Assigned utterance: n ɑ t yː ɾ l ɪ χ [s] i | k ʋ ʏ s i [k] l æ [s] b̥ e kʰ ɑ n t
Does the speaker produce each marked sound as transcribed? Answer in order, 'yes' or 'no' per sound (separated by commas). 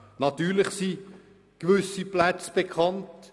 yes, no, no